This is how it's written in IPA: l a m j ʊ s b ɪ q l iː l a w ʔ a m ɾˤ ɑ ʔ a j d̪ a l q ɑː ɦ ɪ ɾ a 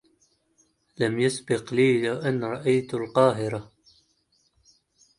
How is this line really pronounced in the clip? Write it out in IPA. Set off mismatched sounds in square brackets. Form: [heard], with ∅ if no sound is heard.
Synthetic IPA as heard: l a m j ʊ s b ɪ q l iː l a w ʔ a [n] ɾˤ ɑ ʔ a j [t̪] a l q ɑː ɦ ɪ ɾ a